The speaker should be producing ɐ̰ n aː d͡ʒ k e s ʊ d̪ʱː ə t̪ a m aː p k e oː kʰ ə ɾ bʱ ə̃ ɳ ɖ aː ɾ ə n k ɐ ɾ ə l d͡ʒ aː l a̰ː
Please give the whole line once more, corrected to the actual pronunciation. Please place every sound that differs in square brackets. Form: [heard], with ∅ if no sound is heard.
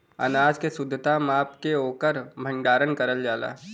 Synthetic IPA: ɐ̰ n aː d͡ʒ k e s ʊ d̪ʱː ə t̪ a m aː p k e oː [k] ə ɾ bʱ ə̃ ɳ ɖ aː ɾ ə n k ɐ ɾ ə l d͡ʒ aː l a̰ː